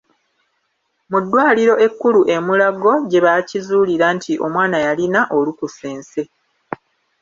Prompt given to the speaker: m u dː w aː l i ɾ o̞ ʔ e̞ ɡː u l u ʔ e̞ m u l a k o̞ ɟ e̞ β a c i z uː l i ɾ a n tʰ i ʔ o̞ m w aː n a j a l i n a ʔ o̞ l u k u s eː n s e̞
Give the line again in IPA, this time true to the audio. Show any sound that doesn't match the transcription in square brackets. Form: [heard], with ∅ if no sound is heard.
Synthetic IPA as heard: m u dː w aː l i ɾ o̞ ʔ e̞ [kː] u l u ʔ e̞ m u l a [ɡ] o̞ ɟ e̞ β a c i z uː l i ɾ a n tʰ i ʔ o̞ m w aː n a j a l i n a ʔ o̞ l u k u s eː n s e̞